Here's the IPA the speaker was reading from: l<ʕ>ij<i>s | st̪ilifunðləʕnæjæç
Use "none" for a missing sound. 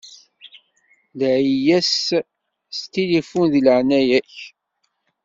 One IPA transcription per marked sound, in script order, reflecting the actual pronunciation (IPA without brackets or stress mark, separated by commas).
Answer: ʕ, æ